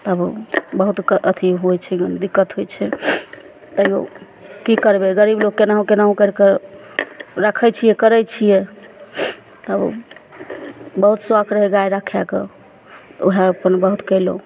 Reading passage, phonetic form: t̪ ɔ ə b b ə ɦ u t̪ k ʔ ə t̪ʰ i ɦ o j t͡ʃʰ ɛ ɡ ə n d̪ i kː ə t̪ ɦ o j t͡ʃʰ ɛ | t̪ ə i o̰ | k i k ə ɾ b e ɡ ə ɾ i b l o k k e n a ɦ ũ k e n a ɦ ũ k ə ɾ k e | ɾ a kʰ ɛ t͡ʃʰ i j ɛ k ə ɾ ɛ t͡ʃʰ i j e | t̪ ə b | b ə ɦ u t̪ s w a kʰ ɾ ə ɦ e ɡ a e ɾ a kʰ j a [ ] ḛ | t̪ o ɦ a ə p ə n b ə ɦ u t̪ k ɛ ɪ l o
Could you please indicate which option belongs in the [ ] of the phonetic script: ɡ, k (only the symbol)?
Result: k